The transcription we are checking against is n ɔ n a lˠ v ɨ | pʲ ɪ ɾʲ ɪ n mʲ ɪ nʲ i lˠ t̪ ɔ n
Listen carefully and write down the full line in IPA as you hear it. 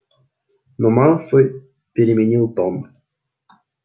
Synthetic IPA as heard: n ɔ m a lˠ f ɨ | pʲ ɪ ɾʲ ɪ mʲ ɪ nʲ i lˠ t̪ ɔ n